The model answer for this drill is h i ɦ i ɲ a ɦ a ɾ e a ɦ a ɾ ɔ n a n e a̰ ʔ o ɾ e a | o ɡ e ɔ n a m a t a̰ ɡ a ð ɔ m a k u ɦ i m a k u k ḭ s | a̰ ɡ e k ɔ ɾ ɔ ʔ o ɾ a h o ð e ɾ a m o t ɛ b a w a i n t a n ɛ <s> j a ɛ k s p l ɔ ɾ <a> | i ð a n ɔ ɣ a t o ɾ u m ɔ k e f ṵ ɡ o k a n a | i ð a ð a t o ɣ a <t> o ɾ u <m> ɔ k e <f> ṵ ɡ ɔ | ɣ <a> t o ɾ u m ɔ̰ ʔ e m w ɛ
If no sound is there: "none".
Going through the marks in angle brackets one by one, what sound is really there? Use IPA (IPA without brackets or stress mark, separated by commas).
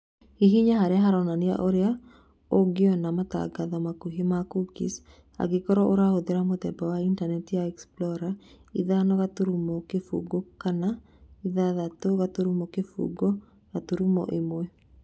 t, a, t, m, f, a